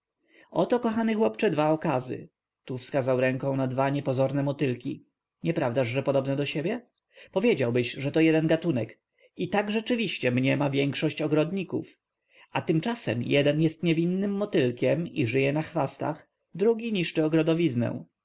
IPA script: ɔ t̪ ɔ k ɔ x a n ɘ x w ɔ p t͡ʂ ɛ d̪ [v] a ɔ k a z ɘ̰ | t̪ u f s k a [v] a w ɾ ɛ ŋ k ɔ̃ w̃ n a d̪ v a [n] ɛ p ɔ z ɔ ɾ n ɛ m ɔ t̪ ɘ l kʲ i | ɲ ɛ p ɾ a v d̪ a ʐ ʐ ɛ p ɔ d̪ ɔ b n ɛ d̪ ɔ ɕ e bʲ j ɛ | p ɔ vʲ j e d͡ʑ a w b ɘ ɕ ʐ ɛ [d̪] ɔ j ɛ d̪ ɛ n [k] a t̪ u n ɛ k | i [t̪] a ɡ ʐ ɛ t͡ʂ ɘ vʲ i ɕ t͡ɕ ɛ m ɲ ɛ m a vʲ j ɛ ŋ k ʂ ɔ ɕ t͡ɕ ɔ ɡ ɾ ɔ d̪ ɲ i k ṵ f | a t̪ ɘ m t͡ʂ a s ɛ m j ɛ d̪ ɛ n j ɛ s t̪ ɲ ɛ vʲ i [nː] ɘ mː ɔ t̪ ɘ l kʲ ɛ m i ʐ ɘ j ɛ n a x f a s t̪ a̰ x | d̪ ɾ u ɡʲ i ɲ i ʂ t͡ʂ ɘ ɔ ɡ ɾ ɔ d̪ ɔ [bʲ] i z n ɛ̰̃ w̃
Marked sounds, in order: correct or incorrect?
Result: correct, incorrect, incorrect, incorrect, incorrect, correct, correct, incorrect

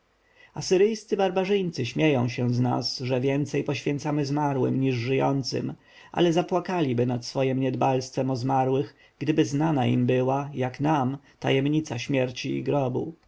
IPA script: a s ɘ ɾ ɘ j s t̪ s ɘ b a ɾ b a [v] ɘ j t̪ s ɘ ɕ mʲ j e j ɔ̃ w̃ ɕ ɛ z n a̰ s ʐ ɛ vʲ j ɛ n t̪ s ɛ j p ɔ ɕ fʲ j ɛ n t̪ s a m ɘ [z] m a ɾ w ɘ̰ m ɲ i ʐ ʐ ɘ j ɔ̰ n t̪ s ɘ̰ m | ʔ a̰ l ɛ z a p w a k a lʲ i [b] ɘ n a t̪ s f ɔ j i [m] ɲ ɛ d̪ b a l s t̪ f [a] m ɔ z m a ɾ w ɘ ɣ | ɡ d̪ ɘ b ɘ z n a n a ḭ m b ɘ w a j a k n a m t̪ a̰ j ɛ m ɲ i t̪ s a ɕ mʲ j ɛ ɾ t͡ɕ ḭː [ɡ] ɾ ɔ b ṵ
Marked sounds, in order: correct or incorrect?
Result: incorrect, correct, correct, correct, incorrect, correct

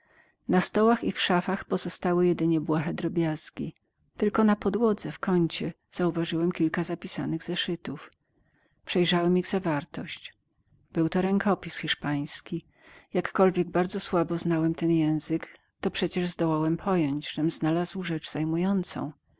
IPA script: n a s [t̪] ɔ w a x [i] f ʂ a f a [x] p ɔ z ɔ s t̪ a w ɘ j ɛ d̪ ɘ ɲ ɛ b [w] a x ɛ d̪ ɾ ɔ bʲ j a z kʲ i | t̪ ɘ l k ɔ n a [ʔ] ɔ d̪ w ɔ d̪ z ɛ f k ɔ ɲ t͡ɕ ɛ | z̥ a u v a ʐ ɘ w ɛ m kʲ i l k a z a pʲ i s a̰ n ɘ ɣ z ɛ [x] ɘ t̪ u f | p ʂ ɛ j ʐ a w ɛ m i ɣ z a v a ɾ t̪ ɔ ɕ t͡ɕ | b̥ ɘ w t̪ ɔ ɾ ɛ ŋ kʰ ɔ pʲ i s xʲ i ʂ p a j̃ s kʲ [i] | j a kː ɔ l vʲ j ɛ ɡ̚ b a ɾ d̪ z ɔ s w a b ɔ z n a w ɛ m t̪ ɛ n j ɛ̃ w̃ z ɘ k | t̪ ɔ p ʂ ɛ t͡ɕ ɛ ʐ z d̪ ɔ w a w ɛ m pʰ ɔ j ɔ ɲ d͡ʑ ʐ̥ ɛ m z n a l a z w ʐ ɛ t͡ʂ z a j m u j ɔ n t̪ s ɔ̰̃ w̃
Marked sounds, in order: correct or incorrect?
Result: correct, correct, correct, correct, incorrect, incorrect, correct

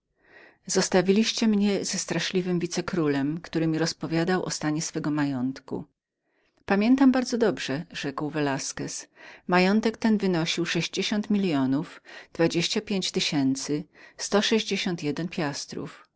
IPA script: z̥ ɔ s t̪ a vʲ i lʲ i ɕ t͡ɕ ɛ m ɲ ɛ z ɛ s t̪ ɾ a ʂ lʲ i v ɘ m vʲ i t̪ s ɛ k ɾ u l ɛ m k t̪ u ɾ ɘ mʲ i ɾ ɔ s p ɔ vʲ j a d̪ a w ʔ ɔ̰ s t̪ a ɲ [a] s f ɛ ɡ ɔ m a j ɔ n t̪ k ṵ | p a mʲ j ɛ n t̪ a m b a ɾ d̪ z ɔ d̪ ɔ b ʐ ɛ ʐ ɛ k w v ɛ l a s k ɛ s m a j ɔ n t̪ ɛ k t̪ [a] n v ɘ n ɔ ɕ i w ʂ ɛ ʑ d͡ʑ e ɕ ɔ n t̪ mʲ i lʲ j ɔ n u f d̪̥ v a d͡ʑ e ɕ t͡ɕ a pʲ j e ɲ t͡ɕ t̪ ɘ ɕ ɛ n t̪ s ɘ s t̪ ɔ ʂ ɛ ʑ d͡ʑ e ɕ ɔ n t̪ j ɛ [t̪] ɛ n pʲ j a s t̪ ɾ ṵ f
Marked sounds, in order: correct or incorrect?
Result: incorrect, incorrect, incorrect

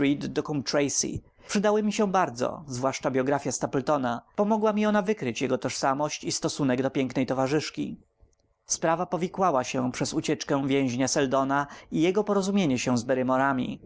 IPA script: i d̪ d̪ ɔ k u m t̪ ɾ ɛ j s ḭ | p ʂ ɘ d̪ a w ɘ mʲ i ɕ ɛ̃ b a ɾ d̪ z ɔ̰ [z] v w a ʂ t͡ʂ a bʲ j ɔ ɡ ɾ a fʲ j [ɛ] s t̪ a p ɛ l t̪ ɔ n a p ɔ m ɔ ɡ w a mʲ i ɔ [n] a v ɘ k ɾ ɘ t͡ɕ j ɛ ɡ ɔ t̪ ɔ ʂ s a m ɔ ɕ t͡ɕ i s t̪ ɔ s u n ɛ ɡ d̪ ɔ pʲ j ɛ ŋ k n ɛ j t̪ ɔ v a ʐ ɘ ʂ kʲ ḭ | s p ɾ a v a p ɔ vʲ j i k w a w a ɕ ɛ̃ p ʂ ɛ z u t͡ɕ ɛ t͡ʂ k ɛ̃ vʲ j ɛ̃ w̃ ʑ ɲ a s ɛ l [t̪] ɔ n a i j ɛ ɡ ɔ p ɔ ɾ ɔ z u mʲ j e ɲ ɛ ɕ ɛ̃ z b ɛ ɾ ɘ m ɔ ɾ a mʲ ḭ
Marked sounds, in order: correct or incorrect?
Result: correct, incorrect, correct, incorrect

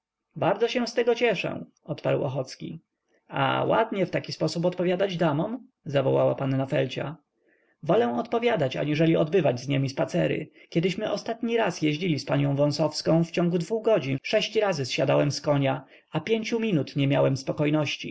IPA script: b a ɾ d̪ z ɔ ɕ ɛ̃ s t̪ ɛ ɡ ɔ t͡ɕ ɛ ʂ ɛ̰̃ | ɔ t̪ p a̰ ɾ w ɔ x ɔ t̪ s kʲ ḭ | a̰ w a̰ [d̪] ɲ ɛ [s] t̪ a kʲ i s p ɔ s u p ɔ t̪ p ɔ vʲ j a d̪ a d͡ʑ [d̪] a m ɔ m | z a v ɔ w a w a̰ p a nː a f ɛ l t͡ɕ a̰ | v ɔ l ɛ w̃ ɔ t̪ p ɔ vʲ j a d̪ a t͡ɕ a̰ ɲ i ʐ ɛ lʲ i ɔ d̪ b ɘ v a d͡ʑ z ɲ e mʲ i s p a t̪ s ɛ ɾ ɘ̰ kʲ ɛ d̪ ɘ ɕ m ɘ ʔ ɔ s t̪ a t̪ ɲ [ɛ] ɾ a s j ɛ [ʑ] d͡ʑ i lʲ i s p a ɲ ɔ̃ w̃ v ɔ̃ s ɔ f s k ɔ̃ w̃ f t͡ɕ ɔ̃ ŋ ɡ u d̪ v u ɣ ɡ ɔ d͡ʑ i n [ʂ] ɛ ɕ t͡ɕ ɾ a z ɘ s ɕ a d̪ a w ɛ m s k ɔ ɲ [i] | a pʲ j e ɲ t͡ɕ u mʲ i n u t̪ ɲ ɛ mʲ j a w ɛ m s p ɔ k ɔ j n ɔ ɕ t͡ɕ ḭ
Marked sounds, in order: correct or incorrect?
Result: correct, incorrect, correct, incorrect, correct, correct, incorrect

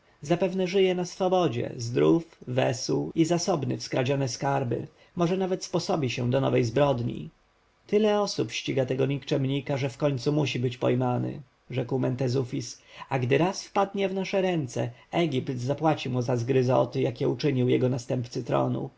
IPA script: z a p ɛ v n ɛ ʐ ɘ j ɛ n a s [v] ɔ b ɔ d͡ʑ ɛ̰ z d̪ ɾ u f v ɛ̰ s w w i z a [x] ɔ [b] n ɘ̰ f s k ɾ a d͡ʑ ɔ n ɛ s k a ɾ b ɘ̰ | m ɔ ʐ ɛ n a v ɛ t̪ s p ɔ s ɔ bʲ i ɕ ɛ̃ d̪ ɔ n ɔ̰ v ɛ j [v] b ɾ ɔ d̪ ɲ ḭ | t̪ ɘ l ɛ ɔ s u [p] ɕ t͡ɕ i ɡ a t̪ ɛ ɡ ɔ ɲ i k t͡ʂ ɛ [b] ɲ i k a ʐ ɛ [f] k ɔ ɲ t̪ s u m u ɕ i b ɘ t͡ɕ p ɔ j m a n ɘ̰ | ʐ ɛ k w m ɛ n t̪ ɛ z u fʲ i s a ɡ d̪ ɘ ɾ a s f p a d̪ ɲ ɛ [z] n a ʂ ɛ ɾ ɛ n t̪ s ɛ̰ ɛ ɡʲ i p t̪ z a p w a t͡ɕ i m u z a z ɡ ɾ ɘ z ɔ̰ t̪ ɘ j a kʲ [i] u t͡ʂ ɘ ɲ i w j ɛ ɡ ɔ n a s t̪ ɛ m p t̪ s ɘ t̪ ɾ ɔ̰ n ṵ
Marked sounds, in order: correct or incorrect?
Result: incorrect, incorrect, correct, incorrect, correct, incorrect, correct, incorrect, incorrect

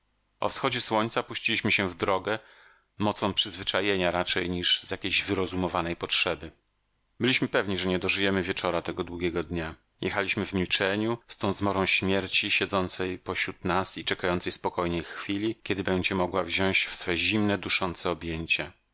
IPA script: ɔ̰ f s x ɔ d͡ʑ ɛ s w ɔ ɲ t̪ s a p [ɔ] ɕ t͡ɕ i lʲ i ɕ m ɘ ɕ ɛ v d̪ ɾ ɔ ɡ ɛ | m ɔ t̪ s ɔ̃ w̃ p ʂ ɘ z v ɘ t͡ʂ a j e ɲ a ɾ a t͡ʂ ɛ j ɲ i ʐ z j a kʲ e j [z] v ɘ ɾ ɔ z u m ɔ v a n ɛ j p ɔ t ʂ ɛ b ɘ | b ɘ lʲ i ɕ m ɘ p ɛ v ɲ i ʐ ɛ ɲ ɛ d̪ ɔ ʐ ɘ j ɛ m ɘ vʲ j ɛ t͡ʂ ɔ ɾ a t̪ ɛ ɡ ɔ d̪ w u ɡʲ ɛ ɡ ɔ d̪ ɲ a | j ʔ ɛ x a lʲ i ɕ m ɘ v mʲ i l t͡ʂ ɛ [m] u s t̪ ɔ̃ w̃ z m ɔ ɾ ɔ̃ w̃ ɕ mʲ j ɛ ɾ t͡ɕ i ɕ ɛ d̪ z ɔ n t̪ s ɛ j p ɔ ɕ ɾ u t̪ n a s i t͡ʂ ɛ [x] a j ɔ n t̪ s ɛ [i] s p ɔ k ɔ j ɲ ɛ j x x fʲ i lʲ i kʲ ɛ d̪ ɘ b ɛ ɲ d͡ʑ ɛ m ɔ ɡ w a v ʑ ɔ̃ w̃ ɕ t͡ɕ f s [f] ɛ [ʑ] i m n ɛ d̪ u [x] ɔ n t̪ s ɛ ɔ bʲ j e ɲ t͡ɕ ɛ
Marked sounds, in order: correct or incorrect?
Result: incorrect, incorrect, incorrect, incorrect, incorrect, correct, correct, incorrect

